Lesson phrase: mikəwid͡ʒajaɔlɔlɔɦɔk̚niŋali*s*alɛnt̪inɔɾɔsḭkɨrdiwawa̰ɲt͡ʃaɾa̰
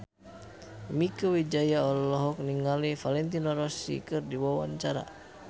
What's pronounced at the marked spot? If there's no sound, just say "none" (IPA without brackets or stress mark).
f